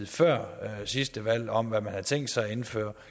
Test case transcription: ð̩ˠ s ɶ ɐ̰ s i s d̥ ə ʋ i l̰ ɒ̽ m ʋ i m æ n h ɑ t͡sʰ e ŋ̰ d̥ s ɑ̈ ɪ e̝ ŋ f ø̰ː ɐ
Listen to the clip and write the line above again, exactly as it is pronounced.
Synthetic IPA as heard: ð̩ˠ f ɶ ɐ̰ s i s d̥ ə ʋ æ l̰ ɒ̽ m ʋ æ m æ n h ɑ t͡sʰ e ŋ̰ d̥ s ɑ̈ ɪ e̝ n f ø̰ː ɐ